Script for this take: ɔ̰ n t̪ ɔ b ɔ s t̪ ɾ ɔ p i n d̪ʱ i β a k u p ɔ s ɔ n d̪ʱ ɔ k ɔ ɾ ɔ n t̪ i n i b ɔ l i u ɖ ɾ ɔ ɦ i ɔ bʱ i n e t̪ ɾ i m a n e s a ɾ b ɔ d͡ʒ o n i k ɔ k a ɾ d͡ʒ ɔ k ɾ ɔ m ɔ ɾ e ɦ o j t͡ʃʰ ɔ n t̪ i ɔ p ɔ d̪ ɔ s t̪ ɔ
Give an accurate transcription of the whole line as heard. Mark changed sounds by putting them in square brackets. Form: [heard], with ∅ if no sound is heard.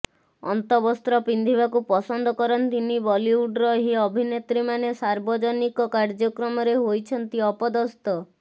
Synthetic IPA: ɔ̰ n t̪ ɔ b ɔ s t̪ ɾ ɔ p i n d̪ʱ i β a k u p ɔ s ɔ n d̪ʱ ɔ k ɔ ɾ ɔ n t̪ i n i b ɔ l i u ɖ ɾ ɔ ɦ i ɔ bʱ i n e t̪ ɾ i m a n e s a ɾ b ɔ d͡ʒ [ɔ] n i k ɔ k a ɾ d͡ʒ ɔ k ɾ ɔ m ɔ ɾ e ɦ o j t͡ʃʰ ɔ n t̪ i ɔ p ɔ d̪ ɔ s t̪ ɔ